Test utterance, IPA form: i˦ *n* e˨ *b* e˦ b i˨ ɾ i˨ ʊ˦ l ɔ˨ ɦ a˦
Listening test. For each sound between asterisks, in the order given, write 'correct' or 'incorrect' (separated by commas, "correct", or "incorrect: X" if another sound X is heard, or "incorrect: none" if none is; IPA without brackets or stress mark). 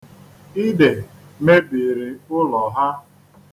incorrect: d, incorrect: m